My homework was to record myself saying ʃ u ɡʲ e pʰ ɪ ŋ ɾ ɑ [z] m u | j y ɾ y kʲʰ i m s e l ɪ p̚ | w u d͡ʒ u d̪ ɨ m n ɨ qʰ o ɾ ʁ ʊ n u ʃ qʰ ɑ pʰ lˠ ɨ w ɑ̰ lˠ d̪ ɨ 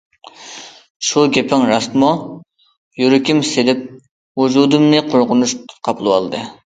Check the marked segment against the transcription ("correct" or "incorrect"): incorrect